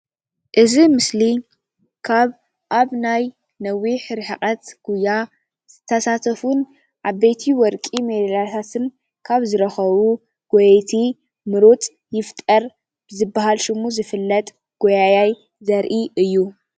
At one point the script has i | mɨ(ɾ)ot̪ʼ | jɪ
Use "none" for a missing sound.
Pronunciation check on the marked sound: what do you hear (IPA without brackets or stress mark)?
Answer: ɾ